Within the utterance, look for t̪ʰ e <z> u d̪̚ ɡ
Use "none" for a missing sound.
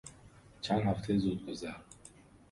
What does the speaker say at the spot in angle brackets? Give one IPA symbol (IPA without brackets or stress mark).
z